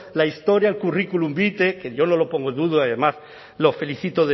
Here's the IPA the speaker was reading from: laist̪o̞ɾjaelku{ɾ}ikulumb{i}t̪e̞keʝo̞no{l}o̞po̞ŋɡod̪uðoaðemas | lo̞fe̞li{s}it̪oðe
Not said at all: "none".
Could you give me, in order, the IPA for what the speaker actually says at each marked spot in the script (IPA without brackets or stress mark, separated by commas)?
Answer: r, i, l, θ